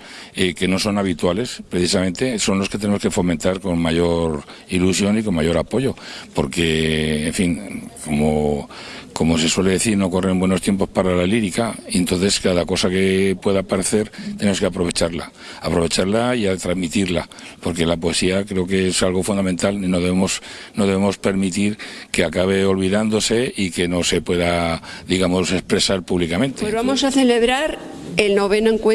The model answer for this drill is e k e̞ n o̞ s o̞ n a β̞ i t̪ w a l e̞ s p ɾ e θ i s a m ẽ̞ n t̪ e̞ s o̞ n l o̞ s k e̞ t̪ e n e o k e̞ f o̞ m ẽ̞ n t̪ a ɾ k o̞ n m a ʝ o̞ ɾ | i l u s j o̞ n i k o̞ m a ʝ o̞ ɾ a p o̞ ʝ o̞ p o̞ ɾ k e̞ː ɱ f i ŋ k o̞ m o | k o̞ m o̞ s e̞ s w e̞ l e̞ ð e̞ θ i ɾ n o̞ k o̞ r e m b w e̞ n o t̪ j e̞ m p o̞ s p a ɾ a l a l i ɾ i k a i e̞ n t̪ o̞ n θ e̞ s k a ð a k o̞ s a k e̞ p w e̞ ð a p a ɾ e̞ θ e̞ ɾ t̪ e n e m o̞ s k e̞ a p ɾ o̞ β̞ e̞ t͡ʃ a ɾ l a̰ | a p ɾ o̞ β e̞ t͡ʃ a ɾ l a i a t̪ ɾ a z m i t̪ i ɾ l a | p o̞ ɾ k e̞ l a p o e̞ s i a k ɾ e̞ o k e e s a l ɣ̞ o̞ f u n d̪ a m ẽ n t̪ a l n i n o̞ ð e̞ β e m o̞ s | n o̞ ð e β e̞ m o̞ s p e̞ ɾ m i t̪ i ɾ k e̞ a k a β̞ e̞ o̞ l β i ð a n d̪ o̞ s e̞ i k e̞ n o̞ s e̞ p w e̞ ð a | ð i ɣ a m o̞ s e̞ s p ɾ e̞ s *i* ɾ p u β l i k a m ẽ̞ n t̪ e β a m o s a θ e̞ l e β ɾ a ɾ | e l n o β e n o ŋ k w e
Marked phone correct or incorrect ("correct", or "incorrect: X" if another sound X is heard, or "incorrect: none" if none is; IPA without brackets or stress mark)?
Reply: incorrect: a